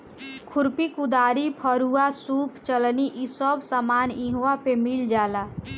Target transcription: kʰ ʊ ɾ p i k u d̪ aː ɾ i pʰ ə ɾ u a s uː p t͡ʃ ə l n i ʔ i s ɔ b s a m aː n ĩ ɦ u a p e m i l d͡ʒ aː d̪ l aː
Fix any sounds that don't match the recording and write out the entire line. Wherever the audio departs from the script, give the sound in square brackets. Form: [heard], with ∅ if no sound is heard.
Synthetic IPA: kʰ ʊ ɾ p i k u d̪ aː ɾ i pʰ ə ɾ u a s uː p t͡ʃ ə l n i ʔ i s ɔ b s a m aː n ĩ ɦ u a p e m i l d͡ʒ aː [∅] l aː